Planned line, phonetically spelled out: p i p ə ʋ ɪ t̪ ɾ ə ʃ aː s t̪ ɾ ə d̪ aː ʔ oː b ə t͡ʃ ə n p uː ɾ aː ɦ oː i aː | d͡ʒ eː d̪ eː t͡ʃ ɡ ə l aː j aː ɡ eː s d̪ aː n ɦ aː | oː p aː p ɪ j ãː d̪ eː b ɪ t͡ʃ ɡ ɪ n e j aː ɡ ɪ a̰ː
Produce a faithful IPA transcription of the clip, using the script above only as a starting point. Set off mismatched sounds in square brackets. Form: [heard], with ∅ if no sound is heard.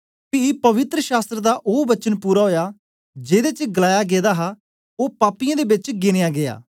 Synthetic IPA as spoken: p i p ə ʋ ɪ t̪ ɾ ə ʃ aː s t̪ ɾ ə d̪ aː ʔ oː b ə t͡ʃ ə n p uː ɾ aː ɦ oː [j] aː | d͡ʒ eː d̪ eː t͡ʃ ɡ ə l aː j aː ɡ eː [∅] d̪ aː [∅] ɦ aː | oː p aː p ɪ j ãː d̪ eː b ɪ t͡ʃ ɡ ɪ n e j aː ɡ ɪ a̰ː